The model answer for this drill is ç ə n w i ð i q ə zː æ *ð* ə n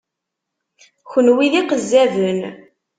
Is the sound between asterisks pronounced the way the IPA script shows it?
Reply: no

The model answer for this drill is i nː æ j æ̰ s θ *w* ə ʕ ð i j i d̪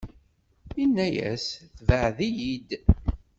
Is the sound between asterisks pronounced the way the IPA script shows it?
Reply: no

